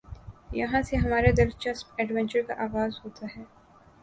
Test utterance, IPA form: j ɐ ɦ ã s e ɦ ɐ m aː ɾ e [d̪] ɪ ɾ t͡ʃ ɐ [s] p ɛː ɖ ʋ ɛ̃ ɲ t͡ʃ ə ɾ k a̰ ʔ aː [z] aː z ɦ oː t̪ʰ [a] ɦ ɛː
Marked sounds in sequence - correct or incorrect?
correct, correct, incorrect, correct

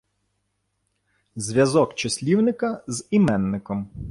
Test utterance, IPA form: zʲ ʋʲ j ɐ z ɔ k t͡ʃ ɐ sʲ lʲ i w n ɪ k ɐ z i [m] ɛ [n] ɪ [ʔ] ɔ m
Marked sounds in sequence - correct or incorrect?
correct, incorrect, incorrect

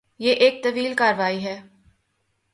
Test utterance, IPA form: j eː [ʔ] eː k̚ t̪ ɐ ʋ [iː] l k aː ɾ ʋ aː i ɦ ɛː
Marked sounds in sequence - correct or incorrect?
correct, correct

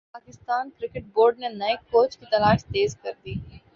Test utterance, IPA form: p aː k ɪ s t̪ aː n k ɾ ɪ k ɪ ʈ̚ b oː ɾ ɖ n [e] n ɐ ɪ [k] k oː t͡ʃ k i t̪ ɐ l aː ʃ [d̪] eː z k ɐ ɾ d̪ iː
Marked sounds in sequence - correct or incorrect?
correct, correct, incorrect

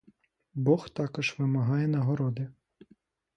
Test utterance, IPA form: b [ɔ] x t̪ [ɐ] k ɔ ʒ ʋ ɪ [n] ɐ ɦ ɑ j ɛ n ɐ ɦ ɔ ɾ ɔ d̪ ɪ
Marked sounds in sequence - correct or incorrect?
correct, incorrect, incorrect

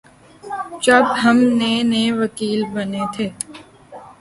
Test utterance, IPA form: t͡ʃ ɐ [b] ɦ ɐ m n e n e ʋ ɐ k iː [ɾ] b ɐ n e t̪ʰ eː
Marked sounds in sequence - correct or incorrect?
correct, incorrect

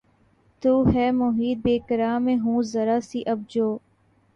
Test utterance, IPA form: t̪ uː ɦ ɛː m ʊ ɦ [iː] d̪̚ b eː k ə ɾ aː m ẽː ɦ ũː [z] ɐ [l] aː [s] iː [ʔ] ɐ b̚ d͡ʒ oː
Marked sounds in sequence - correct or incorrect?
correct, correct, incorrect, correct, correct

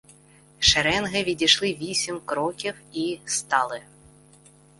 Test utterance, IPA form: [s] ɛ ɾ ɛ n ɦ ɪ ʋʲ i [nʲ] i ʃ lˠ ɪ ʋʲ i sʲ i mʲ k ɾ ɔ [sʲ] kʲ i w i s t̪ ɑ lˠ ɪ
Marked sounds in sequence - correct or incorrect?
incorrect, incorrect, incorrect

